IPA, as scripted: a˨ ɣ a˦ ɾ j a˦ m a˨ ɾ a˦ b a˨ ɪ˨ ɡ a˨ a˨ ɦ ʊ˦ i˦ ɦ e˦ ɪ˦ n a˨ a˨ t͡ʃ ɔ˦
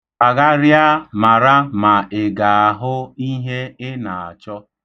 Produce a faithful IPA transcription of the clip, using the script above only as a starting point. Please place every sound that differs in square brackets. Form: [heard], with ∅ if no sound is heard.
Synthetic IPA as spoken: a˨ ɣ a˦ ɾ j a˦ m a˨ ɾ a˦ [m] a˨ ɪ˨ ɡ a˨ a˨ ɦ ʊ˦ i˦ ɦ e˦ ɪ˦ n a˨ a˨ t͡ʃ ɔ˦